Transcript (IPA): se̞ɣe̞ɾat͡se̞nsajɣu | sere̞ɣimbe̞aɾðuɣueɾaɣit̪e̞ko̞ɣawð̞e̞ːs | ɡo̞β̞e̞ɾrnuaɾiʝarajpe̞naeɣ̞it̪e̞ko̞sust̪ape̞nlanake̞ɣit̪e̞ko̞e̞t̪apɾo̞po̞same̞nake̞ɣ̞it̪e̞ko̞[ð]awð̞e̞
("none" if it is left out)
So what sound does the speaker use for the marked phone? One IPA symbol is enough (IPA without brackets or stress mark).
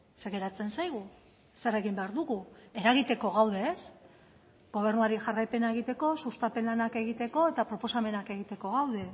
ɣ